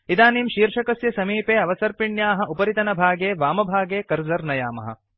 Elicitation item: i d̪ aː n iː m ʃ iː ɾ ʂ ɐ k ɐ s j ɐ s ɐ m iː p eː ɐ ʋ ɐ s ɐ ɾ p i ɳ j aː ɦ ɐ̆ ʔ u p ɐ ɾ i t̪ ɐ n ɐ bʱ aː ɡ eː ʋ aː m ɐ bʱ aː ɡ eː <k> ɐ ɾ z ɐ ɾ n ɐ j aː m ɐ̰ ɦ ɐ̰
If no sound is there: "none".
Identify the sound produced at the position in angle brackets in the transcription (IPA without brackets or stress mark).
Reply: k